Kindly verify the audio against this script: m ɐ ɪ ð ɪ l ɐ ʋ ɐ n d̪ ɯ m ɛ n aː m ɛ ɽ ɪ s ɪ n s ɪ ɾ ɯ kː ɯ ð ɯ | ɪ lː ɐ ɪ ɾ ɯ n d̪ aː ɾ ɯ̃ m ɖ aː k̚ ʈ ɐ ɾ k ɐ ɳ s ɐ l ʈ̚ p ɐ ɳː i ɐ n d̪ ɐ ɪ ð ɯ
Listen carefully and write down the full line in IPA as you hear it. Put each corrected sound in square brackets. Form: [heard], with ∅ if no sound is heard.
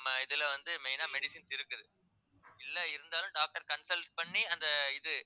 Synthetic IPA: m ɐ ɪ ð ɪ l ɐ ʋ ɐ n d̪ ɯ m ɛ n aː m ɛ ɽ ɪ s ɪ n s ɪ ɾ ɯ kː ɯ ð ɯ | ɪ lː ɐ ɪ ɾ ɯ n d̪ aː [l] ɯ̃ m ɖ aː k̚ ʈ ɐ ɾ k ɐ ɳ s ɐ l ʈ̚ p ɐ ɳː i ɐ n d̪ ɐ ɪ ð ɯ

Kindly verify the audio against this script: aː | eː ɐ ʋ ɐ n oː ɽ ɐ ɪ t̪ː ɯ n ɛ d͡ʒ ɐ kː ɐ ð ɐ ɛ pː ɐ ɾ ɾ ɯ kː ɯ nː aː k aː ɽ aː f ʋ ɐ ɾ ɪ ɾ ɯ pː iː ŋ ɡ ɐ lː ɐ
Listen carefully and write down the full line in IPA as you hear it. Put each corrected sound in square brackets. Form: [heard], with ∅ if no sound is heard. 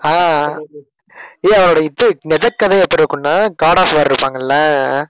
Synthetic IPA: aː | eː ɐ ʋ ɐ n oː ɽ ɐ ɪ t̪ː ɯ n ɛ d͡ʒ ɐ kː ɐ ð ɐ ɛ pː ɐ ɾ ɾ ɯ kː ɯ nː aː k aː ɽ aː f ʋ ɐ ɾ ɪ ɾ ɯ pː [aː] ŋ ɡ ɐ lː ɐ

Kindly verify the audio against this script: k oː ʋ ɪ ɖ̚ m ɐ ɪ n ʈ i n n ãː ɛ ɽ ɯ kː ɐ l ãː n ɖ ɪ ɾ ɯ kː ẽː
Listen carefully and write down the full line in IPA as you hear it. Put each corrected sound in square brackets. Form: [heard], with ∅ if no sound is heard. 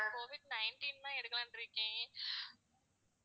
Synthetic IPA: k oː ʋ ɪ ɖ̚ [n] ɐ ɪ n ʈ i n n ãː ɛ ɽ ɯ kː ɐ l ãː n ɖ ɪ ɾ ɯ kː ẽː

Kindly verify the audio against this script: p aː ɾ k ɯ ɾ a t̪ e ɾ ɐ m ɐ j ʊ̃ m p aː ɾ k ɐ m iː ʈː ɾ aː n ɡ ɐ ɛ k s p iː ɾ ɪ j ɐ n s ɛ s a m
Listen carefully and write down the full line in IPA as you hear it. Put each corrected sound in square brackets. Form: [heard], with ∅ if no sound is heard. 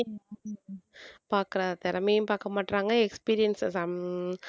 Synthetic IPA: p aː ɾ k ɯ ɾ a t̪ [ɛ] ɾ ɐ m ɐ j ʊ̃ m p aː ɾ k ɐ m [aː] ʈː ɾ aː [ŋ] ɡ ɐ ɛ k s p iː ɾ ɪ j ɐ n s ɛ s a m

